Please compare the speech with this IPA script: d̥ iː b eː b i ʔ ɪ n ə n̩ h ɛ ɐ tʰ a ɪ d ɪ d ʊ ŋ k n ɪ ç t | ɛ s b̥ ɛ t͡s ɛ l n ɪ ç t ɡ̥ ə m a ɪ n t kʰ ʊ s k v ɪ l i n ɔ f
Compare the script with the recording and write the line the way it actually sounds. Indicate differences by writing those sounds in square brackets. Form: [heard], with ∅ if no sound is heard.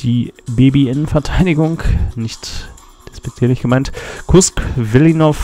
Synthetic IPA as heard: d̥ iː b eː b i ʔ ɪ n ə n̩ [f] ɛ ɐ tʰ a ɪ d ɪ [ɡ] ʊ ŋ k n ɪ ç t | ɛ s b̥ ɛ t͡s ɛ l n ɪ ç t ɡ̥ ə m a ɪ n t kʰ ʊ s k v ɪ l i n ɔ f